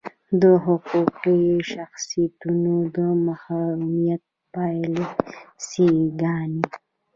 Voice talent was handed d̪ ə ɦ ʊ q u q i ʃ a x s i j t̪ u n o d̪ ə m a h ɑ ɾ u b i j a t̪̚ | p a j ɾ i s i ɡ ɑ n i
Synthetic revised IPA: d̪ ə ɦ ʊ q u q i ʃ a x s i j t̪ u n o d̪ ə m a h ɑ ɾ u m i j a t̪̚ | p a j l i s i ɡ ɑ n i